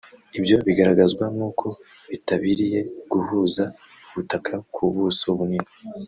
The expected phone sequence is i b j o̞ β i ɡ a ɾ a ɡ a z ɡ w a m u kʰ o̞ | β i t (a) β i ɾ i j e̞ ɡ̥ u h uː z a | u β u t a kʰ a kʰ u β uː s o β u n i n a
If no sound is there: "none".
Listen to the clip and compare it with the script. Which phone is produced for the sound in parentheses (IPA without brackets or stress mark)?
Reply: a